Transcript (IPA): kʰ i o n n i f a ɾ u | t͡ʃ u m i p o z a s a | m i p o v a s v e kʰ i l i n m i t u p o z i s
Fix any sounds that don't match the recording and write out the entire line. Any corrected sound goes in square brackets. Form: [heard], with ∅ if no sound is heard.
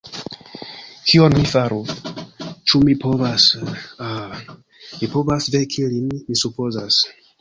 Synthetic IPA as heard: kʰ i o n [m] i f a ɾ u | t͡ʃ u m i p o [v] a s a | m i p o v a s v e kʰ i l i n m i [s] u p o z [a] s